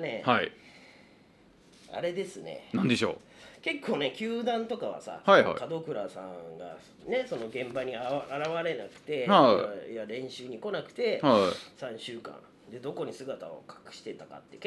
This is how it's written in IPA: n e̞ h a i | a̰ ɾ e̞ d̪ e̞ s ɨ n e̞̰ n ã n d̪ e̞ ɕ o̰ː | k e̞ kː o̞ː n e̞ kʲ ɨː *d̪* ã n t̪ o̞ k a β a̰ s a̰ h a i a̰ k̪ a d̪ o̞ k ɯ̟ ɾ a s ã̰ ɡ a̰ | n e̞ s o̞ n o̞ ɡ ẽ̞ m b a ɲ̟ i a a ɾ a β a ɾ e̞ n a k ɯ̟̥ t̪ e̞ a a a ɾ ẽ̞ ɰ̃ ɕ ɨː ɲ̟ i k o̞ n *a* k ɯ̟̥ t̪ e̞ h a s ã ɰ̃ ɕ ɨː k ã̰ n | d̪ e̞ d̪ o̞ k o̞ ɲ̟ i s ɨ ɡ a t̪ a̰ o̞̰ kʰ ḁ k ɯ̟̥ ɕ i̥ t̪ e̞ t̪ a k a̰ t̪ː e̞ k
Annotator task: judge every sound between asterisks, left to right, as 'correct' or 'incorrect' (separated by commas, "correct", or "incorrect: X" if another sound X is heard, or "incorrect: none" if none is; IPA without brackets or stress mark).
correct, correct